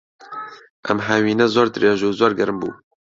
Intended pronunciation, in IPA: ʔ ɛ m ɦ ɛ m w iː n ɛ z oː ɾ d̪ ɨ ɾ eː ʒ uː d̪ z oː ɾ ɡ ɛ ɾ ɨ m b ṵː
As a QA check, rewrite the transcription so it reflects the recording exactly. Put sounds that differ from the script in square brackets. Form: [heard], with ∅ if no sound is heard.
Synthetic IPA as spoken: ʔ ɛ m ɦ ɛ [∅] w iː n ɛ z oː ɾ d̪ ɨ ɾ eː ʒ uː [∅] z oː ɾ ɡ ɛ ɾ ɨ m b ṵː